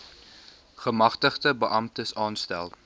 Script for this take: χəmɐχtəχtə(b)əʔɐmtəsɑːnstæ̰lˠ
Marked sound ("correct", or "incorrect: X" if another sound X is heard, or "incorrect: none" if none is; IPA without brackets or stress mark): correct